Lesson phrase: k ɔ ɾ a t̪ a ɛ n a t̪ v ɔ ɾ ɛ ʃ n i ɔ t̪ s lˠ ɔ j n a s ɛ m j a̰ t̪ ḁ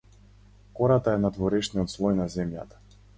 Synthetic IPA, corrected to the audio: k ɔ ɾ a t̪ a ɛ n a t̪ v ɔ ɾ ɛ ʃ n i ɔ t̪ s lˠ ɔ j n a z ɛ m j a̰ t̪ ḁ